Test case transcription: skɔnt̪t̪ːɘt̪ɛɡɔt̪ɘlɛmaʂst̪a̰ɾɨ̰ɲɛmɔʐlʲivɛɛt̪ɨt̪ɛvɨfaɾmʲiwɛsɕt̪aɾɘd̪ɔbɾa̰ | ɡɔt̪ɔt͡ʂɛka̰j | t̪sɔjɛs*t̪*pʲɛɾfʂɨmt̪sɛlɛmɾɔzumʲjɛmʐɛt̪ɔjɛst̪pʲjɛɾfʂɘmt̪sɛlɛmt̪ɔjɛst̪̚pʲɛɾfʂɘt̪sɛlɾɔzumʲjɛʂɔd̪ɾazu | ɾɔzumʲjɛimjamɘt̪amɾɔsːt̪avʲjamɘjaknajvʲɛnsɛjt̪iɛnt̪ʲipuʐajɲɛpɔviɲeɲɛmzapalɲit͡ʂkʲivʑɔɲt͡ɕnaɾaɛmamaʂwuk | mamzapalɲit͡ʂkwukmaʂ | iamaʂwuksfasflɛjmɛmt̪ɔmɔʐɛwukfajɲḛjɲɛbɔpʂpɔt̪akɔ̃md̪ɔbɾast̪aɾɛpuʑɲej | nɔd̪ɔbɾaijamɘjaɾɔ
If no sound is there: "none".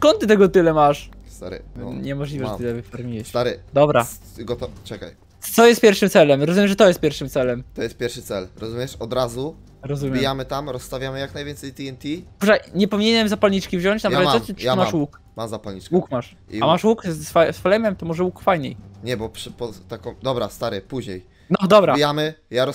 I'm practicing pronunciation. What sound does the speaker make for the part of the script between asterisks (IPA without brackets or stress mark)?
t̪